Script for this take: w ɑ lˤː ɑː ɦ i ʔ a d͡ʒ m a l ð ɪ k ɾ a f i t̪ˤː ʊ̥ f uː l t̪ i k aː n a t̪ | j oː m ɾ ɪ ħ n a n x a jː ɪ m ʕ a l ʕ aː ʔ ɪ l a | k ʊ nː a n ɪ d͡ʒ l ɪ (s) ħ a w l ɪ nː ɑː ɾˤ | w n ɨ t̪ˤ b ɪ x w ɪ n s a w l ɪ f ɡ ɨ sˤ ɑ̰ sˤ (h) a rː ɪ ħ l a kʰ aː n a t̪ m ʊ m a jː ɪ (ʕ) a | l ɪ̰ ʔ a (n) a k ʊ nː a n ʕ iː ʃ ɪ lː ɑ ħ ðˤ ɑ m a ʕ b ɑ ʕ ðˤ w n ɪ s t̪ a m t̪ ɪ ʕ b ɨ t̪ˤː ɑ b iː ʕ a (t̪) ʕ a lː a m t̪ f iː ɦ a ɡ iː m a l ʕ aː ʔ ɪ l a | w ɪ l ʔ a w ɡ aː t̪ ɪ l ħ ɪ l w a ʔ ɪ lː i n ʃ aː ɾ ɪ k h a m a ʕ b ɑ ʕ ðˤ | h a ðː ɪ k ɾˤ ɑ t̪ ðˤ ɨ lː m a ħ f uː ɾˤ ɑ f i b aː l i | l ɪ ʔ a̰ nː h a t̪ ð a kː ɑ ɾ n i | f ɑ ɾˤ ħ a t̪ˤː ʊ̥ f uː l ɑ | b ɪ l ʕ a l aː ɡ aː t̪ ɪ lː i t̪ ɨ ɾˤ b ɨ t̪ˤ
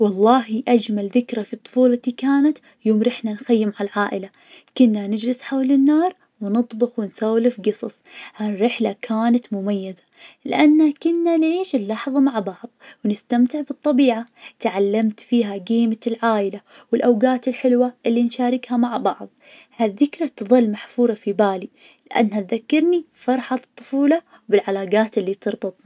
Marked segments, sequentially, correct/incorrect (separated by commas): correct, correct, incorrect, incorrect, correct